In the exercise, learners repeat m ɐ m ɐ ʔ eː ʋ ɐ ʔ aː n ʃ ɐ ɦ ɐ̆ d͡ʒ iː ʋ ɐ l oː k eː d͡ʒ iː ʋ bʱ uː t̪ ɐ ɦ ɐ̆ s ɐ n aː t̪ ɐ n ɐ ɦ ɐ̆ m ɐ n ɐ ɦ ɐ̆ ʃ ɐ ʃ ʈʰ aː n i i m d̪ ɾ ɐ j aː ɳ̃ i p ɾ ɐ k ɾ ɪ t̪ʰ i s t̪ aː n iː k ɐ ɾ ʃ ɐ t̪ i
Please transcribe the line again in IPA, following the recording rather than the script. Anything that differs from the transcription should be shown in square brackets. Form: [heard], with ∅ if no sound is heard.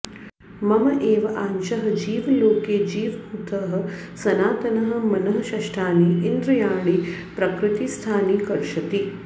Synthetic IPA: m ɐ m ɐ ʔ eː ʋ ɐ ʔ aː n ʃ ɐ ɦ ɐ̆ d͡ʒ iː ʋ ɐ l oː k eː d͡ʒ iː ʋ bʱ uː t̪ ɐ ɦ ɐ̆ s ɐ n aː t̪ ɐ n ɐ ɦ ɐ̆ m ɐ n ɐ ɦ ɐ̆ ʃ ɐ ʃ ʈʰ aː n i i [n] d̪ ɾ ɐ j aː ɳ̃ i p ɾ ɐ k ɾ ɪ [t̪] i s [t̪ʰ] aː n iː k ɐ ɾ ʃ ɐ t̪ i